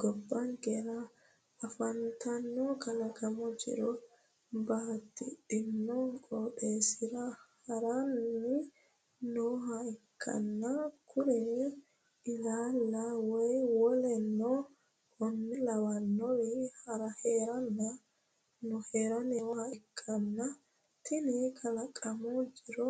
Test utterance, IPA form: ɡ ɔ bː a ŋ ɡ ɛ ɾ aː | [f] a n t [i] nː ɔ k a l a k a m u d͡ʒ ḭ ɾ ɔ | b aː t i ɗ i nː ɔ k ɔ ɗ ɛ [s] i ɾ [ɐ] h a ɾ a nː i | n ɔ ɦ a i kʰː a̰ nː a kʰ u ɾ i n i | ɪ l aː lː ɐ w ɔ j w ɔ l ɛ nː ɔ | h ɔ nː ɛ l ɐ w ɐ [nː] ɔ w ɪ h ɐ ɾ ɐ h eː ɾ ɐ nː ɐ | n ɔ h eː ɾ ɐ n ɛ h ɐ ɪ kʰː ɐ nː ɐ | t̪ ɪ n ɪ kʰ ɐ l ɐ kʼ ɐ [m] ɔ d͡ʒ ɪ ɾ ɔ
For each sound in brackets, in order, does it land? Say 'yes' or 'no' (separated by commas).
yes, no, yes, no, yes, yes